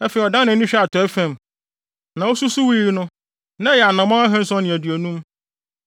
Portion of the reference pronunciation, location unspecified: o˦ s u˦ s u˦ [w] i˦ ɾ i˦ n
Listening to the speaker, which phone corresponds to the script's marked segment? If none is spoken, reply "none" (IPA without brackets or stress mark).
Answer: w